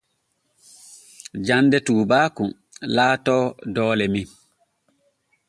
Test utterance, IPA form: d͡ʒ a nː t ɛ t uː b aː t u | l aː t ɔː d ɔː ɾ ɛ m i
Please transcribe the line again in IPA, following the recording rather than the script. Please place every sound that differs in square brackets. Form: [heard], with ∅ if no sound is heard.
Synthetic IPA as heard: d͡ʒ a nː [d] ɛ t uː b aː [k] u | l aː t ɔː d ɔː [l] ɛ m i